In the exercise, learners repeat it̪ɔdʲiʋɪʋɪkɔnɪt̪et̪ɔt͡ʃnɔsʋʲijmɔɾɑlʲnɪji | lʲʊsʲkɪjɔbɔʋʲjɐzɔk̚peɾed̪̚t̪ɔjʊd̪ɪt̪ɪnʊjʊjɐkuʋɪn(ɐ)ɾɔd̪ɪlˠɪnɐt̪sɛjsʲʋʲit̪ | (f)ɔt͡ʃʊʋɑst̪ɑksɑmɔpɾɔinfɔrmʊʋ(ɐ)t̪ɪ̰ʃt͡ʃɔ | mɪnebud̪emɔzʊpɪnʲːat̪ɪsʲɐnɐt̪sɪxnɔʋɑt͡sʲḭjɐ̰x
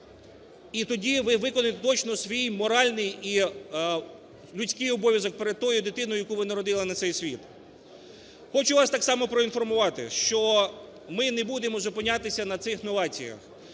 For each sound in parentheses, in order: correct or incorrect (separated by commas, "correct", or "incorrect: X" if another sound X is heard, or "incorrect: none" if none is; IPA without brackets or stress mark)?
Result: correct, incorrect: x, incorrect: ɑ